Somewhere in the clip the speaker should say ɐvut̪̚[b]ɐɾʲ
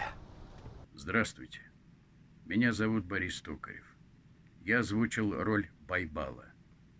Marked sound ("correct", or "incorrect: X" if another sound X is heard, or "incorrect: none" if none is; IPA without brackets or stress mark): correct